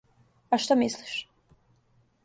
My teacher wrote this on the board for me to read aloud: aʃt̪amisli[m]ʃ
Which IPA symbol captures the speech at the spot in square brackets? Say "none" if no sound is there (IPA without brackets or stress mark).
none